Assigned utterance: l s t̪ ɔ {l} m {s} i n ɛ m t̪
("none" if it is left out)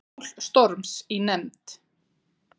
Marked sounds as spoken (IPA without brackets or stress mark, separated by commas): ɾ, s